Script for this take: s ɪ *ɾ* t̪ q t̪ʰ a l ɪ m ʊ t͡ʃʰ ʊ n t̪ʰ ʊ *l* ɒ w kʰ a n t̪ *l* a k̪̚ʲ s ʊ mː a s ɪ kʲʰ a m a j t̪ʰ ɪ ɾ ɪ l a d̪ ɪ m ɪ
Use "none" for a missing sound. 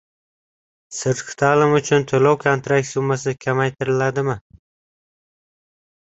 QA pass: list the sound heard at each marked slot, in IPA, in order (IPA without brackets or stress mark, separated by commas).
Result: ɾ, l, ɾ